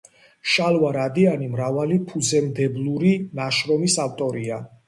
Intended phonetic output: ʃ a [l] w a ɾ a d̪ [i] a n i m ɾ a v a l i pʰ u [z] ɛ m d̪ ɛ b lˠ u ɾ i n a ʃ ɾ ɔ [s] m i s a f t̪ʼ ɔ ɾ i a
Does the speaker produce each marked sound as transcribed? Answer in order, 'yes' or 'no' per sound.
yes, yes, yes, no

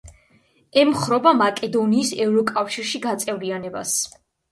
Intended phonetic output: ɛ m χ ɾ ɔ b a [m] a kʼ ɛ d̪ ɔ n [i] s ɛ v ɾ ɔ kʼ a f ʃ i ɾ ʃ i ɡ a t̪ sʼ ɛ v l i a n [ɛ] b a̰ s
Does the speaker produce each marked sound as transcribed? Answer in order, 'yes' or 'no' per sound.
yes, no, yes

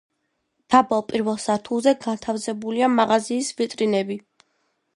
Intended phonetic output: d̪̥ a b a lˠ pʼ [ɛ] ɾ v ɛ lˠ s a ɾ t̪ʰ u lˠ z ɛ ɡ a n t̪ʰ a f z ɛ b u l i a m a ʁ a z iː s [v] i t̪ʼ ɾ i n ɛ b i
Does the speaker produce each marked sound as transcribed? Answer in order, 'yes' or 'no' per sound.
no, yes

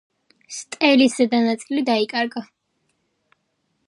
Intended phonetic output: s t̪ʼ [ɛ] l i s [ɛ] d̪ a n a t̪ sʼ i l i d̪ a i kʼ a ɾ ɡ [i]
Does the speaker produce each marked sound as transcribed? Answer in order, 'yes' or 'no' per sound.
yes, yes, no

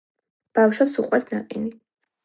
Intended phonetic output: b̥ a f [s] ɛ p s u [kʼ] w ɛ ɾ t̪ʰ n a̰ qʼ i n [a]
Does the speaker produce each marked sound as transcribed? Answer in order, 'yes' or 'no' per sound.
no, no, no

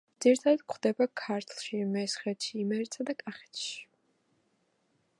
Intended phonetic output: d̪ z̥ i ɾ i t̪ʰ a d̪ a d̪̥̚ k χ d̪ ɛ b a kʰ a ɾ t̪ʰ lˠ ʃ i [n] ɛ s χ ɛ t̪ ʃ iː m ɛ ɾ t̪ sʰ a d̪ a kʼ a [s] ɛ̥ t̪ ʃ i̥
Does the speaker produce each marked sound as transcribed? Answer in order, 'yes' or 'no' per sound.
no, no

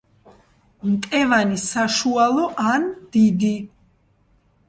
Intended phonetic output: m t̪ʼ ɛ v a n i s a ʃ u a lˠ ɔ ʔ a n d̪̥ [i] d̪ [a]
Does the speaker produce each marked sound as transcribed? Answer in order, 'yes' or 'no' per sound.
yes, no

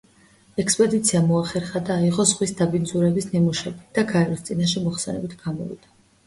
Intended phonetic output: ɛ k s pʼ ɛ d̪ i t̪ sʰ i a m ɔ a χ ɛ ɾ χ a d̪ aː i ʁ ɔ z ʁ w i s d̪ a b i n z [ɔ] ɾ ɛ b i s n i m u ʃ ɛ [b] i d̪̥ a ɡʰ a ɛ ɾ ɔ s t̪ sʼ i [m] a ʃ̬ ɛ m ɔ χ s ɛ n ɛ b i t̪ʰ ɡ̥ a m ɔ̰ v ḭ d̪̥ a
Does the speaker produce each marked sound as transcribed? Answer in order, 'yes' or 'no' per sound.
no, yes, no

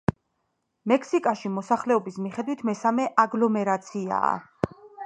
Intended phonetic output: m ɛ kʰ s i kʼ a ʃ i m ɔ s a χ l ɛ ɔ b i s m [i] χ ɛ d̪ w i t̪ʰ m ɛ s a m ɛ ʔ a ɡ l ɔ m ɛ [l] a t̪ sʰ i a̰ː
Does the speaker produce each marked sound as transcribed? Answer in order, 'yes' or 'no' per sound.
yes, no

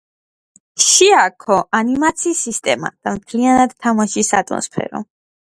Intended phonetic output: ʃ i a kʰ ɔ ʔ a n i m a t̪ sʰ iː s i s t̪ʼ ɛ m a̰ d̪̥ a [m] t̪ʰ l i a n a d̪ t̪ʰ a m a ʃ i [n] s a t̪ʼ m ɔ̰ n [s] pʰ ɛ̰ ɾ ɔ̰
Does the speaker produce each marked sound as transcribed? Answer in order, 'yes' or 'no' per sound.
yes, no, yes

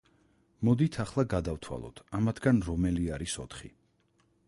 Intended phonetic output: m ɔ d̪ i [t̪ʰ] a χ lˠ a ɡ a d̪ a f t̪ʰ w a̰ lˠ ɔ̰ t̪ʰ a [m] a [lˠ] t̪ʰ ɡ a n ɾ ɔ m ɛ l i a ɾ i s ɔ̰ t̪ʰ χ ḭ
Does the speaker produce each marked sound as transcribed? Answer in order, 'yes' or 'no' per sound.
yes, yes, no

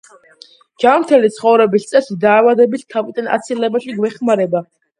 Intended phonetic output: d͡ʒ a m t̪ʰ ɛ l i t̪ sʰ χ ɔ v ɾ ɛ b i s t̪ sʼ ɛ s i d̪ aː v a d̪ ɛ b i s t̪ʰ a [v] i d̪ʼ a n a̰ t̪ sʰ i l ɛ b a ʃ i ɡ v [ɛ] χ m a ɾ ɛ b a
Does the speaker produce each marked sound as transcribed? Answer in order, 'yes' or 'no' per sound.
yes, yes

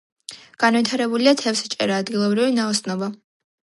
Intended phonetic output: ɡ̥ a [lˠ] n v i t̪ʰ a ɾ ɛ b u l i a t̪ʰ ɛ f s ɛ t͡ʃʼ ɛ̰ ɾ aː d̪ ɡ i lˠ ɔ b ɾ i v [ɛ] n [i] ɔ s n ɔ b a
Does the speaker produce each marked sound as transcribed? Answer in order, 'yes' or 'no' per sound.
no, no, no

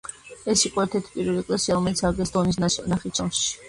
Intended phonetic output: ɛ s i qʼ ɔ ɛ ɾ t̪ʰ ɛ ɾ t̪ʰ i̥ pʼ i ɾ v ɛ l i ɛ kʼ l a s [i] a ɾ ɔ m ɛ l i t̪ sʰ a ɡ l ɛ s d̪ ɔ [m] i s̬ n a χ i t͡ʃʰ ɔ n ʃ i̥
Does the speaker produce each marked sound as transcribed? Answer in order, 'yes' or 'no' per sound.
yes, no

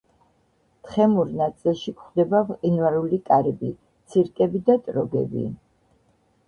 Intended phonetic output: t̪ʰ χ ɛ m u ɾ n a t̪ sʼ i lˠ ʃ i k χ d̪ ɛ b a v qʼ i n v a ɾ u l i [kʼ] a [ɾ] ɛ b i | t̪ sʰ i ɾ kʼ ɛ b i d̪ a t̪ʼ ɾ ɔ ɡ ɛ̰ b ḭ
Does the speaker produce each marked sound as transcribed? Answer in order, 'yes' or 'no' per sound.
yes, yes

